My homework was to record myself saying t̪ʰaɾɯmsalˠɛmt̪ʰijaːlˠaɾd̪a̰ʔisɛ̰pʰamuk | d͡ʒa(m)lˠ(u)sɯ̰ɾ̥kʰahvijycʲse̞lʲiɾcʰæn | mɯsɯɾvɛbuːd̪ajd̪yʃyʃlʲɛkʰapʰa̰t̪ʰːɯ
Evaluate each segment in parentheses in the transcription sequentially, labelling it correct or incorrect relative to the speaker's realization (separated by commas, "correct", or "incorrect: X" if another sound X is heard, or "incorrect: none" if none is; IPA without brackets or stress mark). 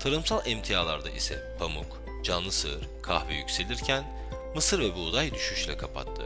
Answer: incorrect: n, incorrect: ɯ